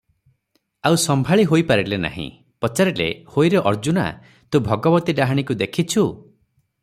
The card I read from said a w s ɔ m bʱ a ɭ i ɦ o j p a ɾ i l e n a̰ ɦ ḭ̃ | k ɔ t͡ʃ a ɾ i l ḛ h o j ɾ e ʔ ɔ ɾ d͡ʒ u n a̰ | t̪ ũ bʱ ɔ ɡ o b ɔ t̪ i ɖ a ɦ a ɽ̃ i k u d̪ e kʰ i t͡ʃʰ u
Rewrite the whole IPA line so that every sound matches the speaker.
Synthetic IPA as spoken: a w s ɔ m bʱ a ɭ i ɦ o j p a ɾ i l e n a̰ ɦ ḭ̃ | p ɔ t͡ʃ a ɾ i l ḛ h o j ɾ e ʔ ɔ ɾ d͡ʒ u n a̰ | t̪ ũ bʱ ɔ ɡ ɔ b ɔ t̪ i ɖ a ɦ a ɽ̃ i k u d̪ e kʰ i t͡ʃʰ u

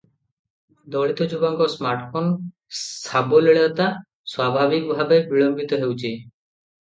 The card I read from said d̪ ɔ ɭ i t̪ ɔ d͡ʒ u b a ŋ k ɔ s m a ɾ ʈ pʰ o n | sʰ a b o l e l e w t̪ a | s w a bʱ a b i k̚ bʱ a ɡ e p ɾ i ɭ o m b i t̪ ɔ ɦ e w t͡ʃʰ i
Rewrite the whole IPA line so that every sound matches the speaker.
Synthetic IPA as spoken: d̪ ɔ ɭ i t̪ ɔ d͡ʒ u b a ŋ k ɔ s m a ɾ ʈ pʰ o n | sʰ a b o l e ɭ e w t̪ a | s w a bʱ a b i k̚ bʱ a b e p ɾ i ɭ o m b i t̪ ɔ ɦ e w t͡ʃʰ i

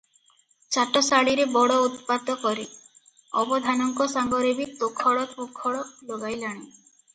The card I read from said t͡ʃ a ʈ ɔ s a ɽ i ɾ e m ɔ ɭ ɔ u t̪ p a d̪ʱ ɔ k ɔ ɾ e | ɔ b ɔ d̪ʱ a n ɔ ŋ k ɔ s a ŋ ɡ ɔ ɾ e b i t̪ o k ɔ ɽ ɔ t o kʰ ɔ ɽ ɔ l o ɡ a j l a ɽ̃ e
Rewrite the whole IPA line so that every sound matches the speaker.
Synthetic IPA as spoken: t͡ʃ a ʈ ɔ s a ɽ i ɾ e b ɔ ɽ ɔ u t̪ p a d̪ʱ ɔ k ɔ ɾ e | ɔ b ɔ d̪ʱ a n ɔ ŋ k ɔ s a ŋ ɡ ɔ ɾ e b i t̪ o kʰ ɔ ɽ ɔ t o kʰ ɔ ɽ ɔ l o ɡ a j l a ɽ̃ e

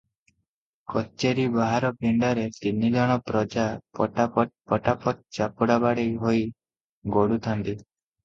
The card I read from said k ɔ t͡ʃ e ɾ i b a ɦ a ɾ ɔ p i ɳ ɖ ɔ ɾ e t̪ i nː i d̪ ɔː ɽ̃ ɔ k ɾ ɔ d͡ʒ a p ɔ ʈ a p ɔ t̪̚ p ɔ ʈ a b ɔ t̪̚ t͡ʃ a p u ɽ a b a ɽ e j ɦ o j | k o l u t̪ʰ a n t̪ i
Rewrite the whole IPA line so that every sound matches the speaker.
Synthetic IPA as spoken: k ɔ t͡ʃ e ɾ i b a ɦ a ɾ ɔ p i ɳ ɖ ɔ ɾ e t̪ i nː i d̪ ɔ ɽ̃ ɔ p ɾ ɔ d͡ʒ a p ɔ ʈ a p ɔ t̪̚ p ɔ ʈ a p ɔ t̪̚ t͡ʃ a p u ɽ a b a ɽ e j ɦ o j | ɡ o ɽ u t̪ʰ a n t̪ i

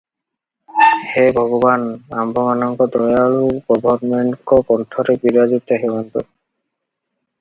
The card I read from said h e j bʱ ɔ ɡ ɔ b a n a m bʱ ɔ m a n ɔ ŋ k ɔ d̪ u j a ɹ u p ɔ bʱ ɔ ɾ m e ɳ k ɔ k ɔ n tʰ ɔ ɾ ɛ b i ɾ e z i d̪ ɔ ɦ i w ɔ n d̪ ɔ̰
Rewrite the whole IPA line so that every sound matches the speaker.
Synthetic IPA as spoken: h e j bʱ ɔ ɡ ɔ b a n a m bʱ ɔ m a n ɔ ŋ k ɔ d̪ ɔ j a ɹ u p ɔ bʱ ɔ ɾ m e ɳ k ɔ k ɔ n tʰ ɔ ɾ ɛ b i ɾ a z i t̪ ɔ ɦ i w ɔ n t̪ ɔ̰

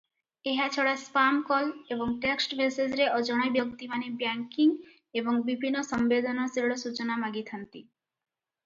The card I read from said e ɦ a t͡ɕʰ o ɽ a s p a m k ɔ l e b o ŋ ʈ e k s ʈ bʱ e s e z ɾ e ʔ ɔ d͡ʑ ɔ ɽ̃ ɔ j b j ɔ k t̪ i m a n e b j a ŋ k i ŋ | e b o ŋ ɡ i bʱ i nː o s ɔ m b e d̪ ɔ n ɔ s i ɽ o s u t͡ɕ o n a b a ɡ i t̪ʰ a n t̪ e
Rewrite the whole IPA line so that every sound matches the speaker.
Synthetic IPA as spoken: e ɦ a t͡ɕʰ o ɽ a s p a m k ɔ l e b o ŋ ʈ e k s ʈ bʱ e s e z ɾ e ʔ ɔ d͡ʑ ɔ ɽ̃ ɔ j b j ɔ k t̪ i m a n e b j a ŋ k i ŋ | e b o ŋ b i bʱ i nː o s ɔ m b e d̪ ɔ n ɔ s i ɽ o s u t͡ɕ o n a m a ɡ i t̪ʰ a n t̪ i

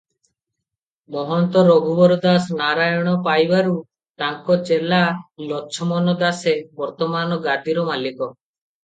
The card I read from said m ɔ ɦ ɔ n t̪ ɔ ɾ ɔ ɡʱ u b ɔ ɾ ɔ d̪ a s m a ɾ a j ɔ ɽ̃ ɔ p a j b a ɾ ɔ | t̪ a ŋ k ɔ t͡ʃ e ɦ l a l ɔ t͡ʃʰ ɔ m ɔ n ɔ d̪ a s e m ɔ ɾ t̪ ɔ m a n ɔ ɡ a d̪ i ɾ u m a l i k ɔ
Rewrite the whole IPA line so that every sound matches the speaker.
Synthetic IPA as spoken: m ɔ ɦ ɔ n t̪ ɔ ɾ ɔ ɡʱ u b ɔ ɾ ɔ d̪ a s n a ɾ a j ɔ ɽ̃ ɔ p a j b a ɾ u | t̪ a ŋ k ɔ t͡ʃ e l a l ɔ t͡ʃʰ ɔ m ɔ n ɔ d̪ a s e b ɔ ɾ t̪ ɔ m a n ɔ ɡ a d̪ i ɾ ɔ m a l i k ɔ

